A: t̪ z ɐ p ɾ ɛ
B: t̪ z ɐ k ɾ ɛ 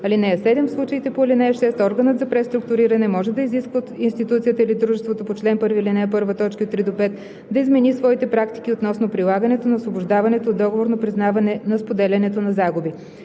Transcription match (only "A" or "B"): A